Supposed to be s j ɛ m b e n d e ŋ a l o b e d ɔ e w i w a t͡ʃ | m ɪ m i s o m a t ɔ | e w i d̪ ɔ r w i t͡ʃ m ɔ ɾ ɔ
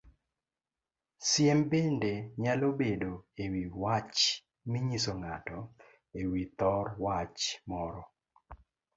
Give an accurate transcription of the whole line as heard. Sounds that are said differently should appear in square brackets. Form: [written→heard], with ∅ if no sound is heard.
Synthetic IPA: s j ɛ m b e n d e [ŋ→ɲ] a l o b e d [ɔ→o] e w i w a t͡ʃ | m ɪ [m→ɲ] i s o [m→ŋ] a t ɔ | e w i [d̪→t̪] ɔ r w [i→a] t͡ʃ m ɔ ɾ ɔ